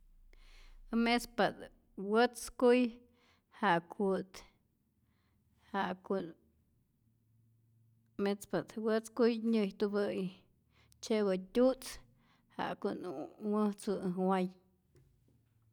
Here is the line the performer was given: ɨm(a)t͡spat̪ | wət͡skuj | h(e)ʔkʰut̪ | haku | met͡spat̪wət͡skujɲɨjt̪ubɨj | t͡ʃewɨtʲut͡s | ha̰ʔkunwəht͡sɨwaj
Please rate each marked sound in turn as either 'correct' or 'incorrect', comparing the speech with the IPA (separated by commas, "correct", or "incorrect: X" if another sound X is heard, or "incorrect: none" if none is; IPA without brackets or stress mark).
incorrect: e, incorrect: a